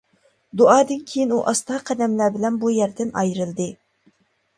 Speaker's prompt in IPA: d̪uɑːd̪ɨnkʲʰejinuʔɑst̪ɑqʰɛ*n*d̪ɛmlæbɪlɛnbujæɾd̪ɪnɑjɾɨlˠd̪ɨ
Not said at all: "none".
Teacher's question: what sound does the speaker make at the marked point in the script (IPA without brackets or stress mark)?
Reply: none